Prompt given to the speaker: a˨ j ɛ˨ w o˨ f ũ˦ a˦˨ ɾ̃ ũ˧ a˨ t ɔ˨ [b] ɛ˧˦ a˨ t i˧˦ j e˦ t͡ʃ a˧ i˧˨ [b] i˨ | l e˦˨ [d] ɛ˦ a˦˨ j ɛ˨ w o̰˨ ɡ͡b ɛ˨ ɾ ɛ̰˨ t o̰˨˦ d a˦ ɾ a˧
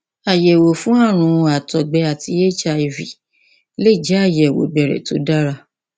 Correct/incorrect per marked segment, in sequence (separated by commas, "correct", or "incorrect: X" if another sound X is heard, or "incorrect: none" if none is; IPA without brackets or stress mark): incorrect: ɡ͡b, incorrect: v, incorrect: d͡ʒ